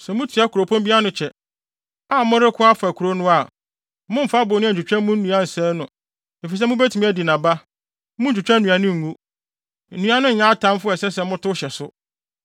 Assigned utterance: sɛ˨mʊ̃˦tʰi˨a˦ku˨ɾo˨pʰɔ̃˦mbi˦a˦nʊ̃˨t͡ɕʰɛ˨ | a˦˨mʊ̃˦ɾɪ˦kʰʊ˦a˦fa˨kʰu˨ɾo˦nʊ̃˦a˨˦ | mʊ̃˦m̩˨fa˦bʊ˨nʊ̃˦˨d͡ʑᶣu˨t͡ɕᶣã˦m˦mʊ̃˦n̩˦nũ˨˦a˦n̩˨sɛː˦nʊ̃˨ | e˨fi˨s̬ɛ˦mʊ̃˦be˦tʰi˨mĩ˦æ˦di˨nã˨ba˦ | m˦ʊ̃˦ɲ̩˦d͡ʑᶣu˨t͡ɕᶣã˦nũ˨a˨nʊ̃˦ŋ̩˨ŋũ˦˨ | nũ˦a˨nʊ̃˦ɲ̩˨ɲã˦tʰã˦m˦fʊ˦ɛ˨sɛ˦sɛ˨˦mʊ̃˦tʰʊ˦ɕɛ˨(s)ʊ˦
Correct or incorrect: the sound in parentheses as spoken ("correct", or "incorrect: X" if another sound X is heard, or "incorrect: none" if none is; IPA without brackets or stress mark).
correct